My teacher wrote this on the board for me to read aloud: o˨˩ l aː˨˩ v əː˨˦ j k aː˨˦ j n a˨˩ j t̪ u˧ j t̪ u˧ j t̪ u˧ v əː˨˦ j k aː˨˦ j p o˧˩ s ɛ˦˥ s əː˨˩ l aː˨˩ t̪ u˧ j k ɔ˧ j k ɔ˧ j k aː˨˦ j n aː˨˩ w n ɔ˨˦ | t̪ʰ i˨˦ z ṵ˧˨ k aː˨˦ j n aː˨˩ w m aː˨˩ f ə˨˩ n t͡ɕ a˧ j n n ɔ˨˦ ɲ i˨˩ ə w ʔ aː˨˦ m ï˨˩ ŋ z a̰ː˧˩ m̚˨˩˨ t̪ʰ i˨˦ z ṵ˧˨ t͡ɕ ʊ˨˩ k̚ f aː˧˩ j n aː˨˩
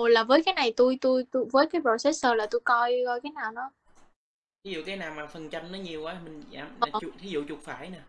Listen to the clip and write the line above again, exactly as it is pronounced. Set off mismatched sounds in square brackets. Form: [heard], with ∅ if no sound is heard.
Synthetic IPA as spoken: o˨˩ l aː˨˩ v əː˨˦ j k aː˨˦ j n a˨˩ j t̪ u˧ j t̪ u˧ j t̪ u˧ v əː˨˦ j k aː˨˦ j p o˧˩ s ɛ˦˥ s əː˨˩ l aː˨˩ t̪ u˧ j k ɔ˧ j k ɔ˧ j k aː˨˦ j n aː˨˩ w n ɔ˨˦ | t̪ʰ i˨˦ z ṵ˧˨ k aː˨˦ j n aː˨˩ w m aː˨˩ f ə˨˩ n t͡ɕ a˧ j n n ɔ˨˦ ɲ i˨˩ ə w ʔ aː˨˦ m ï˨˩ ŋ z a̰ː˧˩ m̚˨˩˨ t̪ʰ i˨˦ z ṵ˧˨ t͡ɕ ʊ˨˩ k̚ f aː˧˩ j n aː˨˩

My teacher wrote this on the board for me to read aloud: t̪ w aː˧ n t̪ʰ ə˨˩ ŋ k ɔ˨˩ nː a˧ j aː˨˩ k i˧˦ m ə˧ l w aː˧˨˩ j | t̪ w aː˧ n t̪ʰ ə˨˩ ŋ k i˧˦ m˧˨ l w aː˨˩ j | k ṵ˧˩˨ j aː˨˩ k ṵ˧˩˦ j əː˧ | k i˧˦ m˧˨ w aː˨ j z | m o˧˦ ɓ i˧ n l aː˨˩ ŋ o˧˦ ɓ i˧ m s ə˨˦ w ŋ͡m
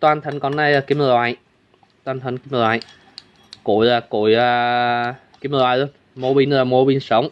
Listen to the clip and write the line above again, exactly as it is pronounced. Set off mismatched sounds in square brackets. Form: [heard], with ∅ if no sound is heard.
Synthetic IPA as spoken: t̪ w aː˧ n t̪ʰ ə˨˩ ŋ k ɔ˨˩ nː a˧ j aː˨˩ k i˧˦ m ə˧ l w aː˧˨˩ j | t̪ w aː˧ n t̪ʰ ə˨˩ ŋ k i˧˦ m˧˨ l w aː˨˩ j | k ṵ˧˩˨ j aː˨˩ k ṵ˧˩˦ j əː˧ | k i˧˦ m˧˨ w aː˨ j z | m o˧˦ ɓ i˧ n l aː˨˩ [m] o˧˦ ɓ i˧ [n] s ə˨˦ w ŋ͡m

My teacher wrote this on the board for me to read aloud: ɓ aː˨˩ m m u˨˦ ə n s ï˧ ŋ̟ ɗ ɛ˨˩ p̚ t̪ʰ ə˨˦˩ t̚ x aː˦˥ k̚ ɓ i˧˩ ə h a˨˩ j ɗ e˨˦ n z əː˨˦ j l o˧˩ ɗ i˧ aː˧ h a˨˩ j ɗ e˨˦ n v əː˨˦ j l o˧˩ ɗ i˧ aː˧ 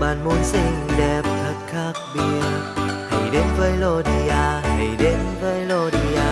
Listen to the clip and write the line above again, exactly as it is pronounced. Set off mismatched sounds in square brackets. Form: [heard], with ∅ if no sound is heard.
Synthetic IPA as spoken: ɓ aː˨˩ [n] m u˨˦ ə n s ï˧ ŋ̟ ɗ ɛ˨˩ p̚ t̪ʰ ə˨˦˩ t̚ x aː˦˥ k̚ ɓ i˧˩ ə h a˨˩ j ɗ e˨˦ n [v] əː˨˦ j l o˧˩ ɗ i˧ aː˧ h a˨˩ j ɗ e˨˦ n v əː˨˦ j l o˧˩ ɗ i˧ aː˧

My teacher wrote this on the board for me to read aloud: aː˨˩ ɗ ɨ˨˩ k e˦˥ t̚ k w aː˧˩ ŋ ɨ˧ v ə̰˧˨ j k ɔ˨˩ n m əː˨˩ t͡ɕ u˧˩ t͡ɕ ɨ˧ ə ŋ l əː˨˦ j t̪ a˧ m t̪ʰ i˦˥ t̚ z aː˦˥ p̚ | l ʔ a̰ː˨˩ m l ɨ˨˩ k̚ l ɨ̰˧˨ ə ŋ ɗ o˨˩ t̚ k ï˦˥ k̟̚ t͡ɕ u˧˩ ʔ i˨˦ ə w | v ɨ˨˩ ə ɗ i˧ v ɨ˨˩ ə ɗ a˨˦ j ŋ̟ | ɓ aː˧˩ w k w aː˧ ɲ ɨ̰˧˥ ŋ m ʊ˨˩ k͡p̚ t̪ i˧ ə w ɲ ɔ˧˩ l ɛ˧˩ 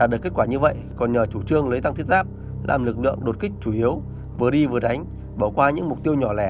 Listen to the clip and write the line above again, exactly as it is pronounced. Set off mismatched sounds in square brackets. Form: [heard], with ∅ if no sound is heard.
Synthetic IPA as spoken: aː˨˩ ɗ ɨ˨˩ k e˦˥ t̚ k w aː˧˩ [ɲ] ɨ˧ v ə̰˧˨ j k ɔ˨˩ n [ɲ] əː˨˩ t͡ɕ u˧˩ t͡ɕ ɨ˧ ə ŋ l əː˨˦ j t̪ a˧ [ŋ] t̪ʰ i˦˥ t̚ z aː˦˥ p̚ | l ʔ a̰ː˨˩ m l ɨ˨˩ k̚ l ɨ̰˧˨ ə ŋ ɗ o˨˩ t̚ k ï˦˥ k̟̚ t͡ɕ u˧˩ ʔ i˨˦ ə w | v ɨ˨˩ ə ɗ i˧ v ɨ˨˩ ə ɗ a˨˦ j ŋ̟ | ɓ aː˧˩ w k w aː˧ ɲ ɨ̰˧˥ ŋ m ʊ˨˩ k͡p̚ t̪ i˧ ə w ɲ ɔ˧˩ l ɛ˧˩

